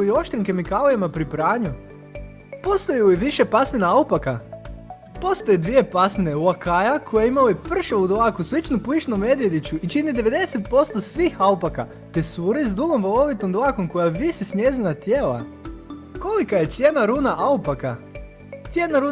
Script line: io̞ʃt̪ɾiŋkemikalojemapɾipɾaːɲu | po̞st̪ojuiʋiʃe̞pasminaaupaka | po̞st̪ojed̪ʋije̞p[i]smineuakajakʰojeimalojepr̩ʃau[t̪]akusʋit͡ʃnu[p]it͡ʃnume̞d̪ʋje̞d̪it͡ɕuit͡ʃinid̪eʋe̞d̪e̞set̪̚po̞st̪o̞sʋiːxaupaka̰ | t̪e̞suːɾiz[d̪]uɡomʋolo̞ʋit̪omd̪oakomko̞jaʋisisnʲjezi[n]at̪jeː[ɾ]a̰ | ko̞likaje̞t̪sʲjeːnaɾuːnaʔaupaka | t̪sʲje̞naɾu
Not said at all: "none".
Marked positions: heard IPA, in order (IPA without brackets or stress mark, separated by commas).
a, d̪, p, d̪, n, l